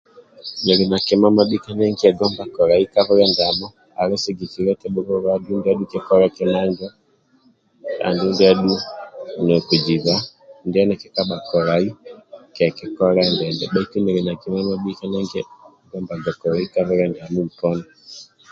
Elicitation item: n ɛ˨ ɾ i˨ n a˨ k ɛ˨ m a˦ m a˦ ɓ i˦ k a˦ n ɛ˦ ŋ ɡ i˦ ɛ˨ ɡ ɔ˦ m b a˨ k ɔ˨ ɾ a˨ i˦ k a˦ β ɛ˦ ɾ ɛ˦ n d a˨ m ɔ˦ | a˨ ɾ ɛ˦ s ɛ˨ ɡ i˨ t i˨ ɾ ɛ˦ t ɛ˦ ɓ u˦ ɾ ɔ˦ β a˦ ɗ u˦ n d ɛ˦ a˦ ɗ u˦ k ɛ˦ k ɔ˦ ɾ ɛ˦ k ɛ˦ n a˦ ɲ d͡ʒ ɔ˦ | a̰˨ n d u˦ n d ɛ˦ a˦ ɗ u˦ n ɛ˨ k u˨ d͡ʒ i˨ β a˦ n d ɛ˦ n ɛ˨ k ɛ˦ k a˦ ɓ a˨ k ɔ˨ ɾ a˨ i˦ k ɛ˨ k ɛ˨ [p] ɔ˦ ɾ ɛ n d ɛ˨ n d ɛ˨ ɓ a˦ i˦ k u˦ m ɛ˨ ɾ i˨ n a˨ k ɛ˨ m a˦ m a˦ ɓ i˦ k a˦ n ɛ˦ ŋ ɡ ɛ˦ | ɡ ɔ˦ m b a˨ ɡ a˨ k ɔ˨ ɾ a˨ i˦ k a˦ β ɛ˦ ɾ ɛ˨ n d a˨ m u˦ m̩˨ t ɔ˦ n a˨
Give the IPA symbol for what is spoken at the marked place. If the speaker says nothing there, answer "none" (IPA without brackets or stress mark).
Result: k